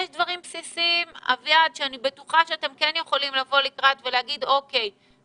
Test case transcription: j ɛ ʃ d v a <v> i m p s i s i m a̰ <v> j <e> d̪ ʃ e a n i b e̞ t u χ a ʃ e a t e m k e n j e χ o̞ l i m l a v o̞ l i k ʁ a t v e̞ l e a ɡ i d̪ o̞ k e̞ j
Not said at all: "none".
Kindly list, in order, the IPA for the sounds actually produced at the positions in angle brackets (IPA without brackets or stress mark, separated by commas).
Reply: ʁ, v, a